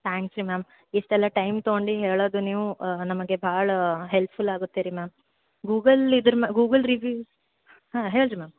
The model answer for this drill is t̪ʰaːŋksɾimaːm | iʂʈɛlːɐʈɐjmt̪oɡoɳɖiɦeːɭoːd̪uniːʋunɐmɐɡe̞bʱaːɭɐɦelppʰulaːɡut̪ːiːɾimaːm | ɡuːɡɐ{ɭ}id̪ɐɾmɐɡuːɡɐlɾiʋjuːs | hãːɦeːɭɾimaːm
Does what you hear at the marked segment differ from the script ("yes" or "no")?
yes